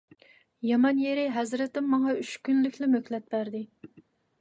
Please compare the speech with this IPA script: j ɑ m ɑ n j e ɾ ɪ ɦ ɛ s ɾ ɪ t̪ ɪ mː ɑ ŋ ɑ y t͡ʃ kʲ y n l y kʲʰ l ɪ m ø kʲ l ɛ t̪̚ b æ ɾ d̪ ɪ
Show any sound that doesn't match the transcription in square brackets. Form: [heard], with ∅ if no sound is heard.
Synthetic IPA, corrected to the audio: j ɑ m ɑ n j e ɾ ɪ ɦ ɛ [z] ɾ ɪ t̪ ɪ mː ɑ ŋ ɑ y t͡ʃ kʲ y n l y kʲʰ l ɪ m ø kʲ l ɛ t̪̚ b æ ɾ d̪ ɪ

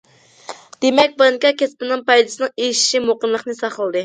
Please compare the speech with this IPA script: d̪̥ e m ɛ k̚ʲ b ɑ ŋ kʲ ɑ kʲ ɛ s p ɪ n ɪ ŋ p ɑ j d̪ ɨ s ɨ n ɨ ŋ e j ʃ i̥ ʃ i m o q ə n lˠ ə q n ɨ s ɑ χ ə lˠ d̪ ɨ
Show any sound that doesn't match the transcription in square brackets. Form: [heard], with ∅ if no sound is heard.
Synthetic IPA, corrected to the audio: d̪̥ e m ɛ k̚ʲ b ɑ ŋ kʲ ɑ kʲ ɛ s p ɪ n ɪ ŋ p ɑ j d̪ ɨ s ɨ n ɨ ŋ e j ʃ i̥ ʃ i m o q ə n lˠ ə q n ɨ s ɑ χ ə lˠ d̪ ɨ

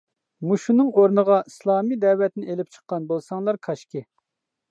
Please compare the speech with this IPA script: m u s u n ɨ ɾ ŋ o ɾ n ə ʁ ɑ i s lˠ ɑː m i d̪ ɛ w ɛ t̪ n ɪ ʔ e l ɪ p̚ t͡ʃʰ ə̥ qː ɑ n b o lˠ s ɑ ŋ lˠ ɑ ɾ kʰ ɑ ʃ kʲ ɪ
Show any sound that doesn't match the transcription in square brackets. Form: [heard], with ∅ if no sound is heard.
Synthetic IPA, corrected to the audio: m u [ʃ] u n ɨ [∅] ŋ o ɾ n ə ʁ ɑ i s lˠ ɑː m i d̪ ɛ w ɛ t̪ n ɪ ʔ e l ɪ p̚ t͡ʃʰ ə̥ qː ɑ n b o lˠ s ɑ ŋ lˠ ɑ ɾ kʰ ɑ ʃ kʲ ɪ

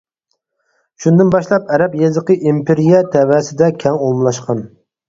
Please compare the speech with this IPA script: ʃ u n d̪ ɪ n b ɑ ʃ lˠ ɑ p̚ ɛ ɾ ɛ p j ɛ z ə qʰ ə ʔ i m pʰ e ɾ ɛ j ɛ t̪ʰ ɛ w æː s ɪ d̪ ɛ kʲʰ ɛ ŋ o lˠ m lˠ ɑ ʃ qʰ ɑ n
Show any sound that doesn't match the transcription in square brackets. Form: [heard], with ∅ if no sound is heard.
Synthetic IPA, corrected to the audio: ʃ u n d̪ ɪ n b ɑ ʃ lˠ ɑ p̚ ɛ ɾ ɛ p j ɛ z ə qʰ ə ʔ i m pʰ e ɾ [i] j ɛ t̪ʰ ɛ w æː s ɪ d̪ ɛ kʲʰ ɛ ŋ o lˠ m lˠ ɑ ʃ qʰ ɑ n

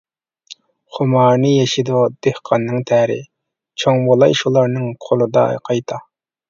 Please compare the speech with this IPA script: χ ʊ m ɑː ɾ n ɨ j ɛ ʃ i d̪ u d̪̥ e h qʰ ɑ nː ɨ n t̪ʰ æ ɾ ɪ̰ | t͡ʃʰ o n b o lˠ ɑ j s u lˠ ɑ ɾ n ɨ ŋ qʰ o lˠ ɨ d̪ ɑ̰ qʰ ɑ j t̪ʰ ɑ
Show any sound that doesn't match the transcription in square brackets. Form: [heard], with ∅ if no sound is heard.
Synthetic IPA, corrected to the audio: χ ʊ m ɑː ɾ n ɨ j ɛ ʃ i d̪ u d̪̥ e h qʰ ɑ nː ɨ [ŋ] t̪ʰ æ ɾ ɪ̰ | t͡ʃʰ o [ŋ] b o lˠ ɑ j [ʃ] u lˠ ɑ ɾ n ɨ ŋ qʰ o lˠ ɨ d̪ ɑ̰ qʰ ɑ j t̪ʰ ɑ

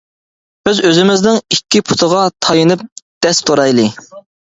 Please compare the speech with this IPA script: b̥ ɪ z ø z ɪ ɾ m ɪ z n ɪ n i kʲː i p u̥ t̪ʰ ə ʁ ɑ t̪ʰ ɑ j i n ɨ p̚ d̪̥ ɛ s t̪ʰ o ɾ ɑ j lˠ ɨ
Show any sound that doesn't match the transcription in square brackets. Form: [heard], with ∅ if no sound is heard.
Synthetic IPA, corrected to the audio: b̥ ɪ z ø z ɪ [∅] m ɪ z n ɪ [ŋ] i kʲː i [pʰ] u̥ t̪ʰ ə ʁ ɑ t̪ʰ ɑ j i n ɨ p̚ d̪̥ ɛ s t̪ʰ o ɾ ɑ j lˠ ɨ

